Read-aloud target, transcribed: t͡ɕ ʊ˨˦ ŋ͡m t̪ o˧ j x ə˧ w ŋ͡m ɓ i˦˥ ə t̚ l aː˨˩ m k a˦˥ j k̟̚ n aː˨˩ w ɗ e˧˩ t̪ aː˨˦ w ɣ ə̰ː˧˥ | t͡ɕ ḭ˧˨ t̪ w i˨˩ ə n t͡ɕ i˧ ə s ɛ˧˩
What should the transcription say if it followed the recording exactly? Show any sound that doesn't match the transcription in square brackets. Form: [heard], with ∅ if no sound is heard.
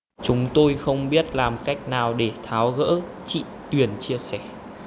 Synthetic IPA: t͡ɕ ʊ˨˦ ŋ͡m t̪ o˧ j x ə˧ w ŋ͡m ɓ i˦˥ ə t̚ l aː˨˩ m k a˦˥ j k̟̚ n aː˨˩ w ɗ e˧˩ [t̪ʰ] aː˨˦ w ɣ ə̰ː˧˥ | t͡ɕ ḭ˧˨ t̪ w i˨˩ ə n t͡ɕ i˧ ə s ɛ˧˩